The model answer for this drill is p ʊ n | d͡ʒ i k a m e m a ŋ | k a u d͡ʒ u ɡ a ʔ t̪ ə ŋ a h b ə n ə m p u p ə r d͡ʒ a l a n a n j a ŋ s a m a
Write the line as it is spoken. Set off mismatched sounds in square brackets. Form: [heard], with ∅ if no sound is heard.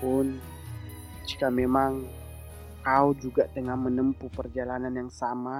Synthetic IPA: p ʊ n | d͡ʒ i k a m e m a ŋ | k a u d͡ʒ u ɡ a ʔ t̪ ə ŋ a h [m] ə n ə m p u p ə r d͡ʒ a l a n a n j a ŋ s a m a